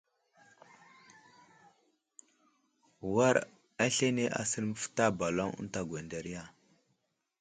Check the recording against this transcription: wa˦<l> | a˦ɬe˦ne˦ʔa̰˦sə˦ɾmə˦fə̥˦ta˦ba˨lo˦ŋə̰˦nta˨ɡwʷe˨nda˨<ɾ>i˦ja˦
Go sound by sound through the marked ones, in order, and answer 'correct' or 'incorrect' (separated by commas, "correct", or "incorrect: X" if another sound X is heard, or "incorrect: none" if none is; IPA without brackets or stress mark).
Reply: incorrect: ɾ, correct